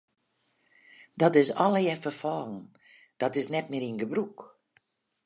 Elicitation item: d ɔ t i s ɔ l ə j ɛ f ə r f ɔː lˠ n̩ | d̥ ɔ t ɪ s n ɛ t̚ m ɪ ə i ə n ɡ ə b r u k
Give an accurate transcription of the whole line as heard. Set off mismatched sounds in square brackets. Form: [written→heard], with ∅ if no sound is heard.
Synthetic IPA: d ɔ t [i→ɪ] s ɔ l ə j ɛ f ə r f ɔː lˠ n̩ | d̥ ɔ t ɪ s n ɛ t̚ m ɪ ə i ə n ɡ ə b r u k